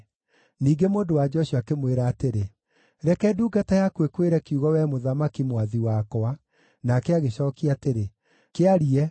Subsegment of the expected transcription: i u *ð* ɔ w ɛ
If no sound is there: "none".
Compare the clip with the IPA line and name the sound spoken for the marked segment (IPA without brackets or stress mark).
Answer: ɣ